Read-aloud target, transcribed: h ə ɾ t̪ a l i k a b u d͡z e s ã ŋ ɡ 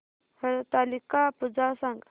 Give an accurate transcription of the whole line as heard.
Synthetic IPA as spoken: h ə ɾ t̪ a l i k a p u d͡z a s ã ŋ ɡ